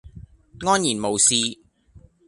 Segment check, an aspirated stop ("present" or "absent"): absent